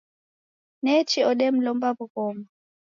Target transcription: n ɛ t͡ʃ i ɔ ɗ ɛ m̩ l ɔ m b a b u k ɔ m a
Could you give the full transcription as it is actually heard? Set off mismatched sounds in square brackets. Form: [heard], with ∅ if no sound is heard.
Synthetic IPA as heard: n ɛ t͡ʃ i ɔ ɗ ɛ m̩ l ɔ m b a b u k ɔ m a